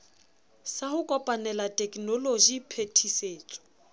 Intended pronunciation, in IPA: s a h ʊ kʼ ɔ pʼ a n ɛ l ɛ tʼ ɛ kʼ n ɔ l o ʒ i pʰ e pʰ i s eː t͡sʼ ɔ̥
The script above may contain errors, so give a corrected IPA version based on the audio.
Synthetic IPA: s a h ʊ kʼ ɔ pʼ a n ɛ l a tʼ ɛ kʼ n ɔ l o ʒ i pʰ e tʰ i s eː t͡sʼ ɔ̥